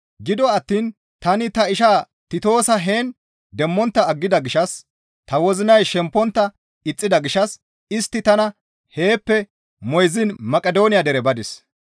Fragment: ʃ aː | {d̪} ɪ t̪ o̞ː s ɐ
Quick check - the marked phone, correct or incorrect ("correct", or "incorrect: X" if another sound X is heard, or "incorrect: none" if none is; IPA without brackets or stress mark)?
incorrect: t̪